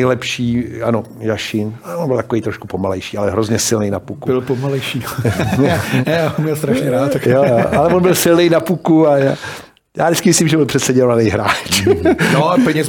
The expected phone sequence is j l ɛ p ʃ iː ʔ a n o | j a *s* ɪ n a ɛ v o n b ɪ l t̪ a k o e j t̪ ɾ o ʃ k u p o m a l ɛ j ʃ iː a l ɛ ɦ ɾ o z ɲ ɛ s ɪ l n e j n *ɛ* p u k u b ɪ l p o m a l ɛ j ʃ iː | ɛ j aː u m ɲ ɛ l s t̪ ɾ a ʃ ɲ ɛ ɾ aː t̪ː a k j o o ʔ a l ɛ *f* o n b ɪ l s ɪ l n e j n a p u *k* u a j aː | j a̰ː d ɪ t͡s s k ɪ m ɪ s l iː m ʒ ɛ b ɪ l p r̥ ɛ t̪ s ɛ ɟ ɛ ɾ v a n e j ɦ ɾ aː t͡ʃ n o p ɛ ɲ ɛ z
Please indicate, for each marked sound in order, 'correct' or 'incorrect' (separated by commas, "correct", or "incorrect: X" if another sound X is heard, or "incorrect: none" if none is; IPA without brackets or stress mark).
incorrect: ʃ, incorrect: a, incorrect: v, correct